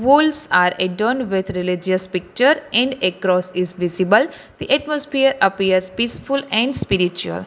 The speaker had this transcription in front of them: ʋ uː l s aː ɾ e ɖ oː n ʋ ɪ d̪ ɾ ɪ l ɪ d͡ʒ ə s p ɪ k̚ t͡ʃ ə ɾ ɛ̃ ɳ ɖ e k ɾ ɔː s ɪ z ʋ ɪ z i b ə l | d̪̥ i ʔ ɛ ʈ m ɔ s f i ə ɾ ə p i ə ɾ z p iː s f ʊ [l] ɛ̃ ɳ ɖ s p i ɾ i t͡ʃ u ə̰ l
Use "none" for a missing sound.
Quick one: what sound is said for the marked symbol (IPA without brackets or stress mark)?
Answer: l